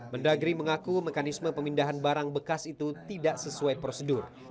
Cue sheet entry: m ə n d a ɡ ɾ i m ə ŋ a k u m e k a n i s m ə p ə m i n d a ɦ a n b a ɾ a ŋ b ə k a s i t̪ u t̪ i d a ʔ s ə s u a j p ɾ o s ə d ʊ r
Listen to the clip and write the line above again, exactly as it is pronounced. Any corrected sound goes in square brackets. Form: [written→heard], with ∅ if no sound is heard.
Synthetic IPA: m ə n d a ɡ ɾ i m ə ŋ a k u m e k a n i s m ə p ə m i n d a ɦ a n b a ɾ a ŋ b ə k a s i t̪ u t̪ i d a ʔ s ə s u a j p ɾ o s ə d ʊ r